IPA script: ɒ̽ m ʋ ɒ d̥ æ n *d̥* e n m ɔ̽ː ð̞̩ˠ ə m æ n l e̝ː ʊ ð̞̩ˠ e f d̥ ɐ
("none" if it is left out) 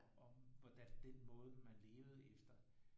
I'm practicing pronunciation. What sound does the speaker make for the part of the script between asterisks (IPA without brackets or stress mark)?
d̥